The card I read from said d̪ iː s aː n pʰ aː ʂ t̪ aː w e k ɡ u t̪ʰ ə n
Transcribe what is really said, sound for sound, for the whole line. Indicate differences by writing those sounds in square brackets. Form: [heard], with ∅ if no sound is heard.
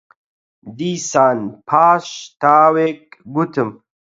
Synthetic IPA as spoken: d̪ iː s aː n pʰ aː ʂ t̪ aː w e k ɡ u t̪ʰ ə [m]